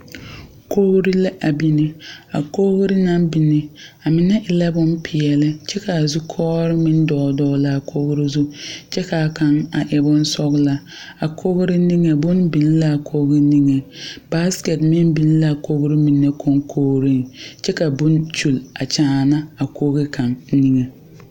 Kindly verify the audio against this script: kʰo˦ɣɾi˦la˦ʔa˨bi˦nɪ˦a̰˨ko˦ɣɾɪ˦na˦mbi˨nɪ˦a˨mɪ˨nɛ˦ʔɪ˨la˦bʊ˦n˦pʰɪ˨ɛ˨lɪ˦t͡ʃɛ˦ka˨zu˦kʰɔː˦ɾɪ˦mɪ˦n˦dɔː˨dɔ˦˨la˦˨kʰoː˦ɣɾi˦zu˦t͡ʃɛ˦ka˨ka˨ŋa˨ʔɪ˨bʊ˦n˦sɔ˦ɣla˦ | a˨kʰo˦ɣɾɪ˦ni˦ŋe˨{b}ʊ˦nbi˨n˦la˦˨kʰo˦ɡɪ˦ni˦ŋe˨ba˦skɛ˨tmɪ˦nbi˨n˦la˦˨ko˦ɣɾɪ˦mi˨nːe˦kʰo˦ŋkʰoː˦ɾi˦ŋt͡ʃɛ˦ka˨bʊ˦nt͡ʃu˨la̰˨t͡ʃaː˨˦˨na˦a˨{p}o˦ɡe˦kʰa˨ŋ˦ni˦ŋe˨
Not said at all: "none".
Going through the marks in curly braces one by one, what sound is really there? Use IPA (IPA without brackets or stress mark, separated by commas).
b, k